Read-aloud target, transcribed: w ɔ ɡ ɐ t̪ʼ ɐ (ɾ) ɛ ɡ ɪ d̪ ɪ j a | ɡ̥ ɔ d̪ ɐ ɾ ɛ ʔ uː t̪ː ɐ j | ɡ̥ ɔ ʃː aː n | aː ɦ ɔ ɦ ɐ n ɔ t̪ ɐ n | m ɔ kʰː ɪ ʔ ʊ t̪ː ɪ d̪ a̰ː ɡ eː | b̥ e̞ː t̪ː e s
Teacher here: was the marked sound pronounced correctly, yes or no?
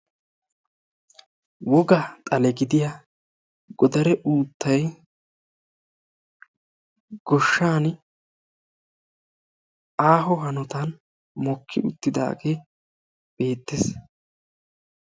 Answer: no